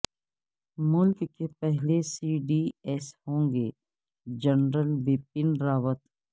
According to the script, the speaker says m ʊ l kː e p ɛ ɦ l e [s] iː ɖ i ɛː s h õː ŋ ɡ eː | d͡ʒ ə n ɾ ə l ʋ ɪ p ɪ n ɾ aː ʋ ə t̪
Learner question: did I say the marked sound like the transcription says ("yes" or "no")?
yes